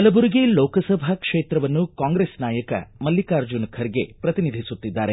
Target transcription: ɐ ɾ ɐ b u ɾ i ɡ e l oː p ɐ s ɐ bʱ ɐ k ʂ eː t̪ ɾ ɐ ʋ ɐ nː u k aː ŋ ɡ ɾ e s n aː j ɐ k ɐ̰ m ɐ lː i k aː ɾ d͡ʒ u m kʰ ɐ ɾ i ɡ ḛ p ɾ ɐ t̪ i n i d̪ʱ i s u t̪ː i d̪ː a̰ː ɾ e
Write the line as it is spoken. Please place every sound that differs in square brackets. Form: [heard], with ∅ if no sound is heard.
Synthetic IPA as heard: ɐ [l] ɐ b u ɾ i ɡ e l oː [k] ɐ s ɐ bʱ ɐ k ʂ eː t̪ ɾ ɐ ʋ ɐ nː u k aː ŋ ɡ ɾ e s n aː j ɐ k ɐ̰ m ɐ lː i k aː ɾ d͡ʒ u [n] kʰ ɐ ɾ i ɡ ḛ p ɾ ɐ t̪ i n i d̪ʱ i s u t̪ː i d̪ː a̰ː ɾ e